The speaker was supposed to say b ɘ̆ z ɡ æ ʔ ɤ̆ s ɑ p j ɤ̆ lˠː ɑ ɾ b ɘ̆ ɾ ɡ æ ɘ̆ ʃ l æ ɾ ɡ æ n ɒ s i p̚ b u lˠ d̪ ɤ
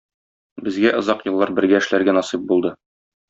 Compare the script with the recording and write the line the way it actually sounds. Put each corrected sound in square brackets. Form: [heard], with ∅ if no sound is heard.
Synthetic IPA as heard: b ɘ̆ z ɡ æ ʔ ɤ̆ [z] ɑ [q] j ɤ̆ lˠː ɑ ɾ b ɘ̆ ɾ ɡ æ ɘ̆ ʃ l æ ɾ ɡ æ n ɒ s i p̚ b u lˠ d̪ ɤ